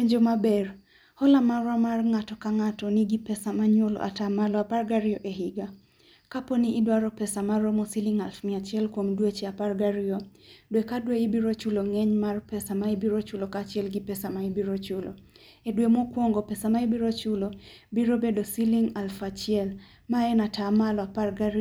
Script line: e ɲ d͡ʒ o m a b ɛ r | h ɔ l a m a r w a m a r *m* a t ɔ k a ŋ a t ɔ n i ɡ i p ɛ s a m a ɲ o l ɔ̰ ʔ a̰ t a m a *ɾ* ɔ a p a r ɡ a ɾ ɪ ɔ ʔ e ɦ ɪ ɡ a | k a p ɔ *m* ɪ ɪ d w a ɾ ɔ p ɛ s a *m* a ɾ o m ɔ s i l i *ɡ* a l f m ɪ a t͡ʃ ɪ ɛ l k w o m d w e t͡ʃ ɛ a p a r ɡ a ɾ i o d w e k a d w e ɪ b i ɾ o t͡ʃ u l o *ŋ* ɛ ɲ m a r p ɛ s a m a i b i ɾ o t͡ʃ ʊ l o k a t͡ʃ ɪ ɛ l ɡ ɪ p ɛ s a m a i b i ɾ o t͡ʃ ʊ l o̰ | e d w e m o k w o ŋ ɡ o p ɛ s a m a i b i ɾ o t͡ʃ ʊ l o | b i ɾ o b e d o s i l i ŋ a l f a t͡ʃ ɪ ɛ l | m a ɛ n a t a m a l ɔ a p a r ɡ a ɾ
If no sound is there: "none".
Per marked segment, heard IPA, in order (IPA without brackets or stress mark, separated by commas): ŋ, l, n, m, ŋ, ŋ